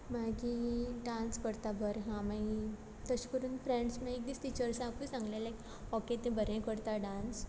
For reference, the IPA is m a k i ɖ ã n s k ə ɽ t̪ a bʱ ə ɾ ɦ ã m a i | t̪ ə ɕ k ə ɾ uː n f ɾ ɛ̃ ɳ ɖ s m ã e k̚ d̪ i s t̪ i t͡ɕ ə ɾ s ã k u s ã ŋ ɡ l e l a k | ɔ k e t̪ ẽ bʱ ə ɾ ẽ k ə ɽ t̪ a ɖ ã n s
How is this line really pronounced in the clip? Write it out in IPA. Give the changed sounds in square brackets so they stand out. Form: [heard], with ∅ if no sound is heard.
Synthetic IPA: m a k i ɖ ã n s k ə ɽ t̪ a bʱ ə ɾ ɦ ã m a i | t̪ ə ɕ k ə ɾ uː n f ɾ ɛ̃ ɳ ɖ s m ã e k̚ d̪ i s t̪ i t͡ɕ ə ɾ s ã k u s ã ŋ ɡ l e l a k | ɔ k e t̪ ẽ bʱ ə ɾ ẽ k ə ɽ t̪ a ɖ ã n s